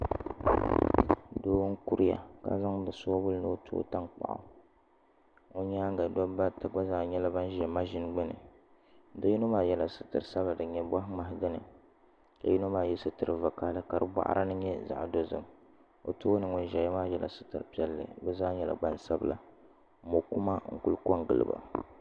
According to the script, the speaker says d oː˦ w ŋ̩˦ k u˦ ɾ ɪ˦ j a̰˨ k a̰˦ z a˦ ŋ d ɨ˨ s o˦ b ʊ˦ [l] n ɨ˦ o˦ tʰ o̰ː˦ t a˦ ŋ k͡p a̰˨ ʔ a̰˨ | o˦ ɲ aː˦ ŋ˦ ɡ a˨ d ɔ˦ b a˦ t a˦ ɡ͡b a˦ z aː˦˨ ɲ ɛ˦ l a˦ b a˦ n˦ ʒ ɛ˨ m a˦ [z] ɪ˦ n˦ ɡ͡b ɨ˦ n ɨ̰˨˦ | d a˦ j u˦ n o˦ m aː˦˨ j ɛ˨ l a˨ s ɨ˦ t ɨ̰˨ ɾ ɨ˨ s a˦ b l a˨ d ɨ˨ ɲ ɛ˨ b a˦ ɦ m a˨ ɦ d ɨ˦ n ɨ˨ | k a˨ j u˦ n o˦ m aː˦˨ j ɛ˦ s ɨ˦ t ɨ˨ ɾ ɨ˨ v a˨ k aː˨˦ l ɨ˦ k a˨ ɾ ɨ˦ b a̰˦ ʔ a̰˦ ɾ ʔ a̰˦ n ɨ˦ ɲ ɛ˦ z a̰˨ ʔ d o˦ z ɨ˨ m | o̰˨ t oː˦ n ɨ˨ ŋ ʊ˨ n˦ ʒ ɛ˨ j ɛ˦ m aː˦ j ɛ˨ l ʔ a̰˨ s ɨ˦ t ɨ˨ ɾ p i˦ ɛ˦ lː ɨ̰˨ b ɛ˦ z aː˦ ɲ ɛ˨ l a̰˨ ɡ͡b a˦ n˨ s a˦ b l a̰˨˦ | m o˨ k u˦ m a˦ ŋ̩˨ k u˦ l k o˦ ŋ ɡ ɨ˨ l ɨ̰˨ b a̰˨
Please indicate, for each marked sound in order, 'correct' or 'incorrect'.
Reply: correct, incorrect

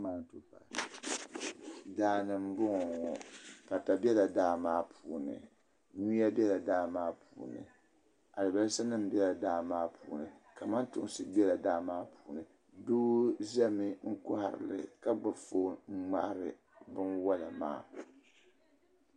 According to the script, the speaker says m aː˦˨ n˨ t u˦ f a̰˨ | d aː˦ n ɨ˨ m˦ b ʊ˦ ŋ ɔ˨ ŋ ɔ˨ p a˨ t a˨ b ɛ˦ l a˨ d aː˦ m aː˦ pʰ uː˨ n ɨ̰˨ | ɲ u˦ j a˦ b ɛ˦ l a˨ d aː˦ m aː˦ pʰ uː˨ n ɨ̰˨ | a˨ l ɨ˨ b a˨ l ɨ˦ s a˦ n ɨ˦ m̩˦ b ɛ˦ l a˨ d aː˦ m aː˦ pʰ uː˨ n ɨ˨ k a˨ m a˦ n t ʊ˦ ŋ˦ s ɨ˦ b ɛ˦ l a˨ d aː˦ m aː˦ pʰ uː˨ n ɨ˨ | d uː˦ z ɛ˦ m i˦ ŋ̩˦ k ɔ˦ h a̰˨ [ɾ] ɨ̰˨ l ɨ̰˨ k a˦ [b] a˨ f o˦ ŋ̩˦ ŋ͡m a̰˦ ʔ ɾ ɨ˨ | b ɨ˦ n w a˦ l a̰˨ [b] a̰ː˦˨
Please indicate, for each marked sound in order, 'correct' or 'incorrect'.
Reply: correct, incorrect, incorrect

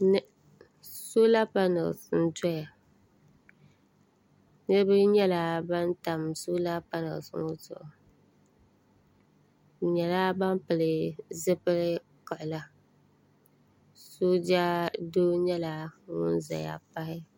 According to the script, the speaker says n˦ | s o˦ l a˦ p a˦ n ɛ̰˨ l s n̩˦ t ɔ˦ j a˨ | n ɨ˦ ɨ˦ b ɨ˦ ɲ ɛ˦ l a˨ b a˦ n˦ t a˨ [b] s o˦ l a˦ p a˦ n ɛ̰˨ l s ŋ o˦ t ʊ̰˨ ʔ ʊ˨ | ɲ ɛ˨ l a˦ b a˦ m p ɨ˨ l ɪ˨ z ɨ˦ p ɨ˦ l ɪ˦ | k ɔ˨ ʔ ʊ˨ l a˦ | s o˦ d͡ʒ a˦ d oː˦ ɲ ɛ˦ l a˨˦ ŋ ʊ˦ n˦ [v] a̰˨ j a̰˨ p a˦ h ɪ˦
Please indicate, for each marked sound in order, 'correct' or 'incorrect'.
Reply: incorrect, incorrect

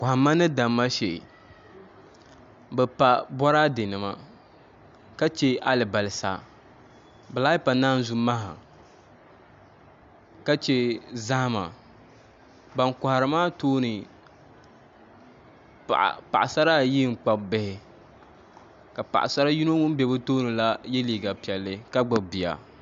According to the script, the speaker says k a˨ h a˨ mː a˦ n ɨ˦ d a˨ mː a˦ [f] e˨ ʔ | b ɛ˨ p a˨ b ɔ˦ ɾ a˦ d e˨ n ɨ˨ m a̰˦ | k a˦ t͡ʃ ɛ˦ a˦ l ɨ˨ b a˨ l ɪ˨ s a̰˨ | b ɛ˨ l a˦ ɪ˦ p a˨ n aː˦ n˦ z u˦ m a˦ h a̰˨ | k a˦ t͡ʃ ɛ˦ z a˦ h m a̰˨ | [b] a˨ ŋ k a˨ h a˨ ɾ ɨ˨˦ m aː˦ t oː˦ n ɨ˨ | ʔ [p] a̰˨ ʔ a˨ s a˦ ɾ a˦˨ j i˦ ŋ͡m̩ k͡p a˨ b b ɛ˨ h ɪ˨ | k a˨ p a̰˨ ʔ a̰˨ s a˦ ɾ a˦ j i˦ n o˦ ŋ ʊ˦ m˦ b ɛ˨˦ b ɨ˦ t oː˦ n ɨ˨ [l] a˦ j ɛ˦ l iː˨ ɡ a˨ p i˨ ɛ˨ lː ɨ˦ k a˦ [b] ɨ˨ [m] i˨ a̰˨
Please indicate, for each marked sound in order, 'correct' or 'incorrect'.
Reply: incorrect, correct, correct, correct, incorrect, incorrect

